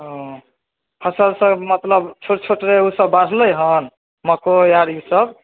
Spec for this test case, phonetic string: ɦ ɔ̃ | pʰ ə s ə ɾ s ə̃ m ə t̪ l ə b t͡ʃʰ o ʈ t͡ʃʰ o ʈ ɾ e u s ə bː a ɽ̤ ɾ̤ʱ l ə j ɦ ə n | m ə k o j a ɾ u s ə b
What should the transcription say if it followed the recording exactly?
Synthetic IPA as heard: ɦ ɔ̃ | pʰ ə s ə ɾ s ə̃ m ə t̪ l ə b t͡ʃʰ o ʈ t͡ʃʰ o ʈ ɾ e u s ə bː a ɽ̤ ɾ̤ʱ l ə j ɦ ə n | m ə k o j a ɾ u s ə b